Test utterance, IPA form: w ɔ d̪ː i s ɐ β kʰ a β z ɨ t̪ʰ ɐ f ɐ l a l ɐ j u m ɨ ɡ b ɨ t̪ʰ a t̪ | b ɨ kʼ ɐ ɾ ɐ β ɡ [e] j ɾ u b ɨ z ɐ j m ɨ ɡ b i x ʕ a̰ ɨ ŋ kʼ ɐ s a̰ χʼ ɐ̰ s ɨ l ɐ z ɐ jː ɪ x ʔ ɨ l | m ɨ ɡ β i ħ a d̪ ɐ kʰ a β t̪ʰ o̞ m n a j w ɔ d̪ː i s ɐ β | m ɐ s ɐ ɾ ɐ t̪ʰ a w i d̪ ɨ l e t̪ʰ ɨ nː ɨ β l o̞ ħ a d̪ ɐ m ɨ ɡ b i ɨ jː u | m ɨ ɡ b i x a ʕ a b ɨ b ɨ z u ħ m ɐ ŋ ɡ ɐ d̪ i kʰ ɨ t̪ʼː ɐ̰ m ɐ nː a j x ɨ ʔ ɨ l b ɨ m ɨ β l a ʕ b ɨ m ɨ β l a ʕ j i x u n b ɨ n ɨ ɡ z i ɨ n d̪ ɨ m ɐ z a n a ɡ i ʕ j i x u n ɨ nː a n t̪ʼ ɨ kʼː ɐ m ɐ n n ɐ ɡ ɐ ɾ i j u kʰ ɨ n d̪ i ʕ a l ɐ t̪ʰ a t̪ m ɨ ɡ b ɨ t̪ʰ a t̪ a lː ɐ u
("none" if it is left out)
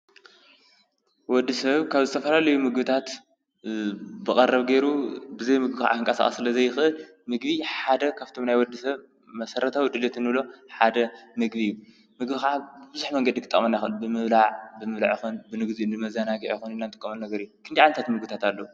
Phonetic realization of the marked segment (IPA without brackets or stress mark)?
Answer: e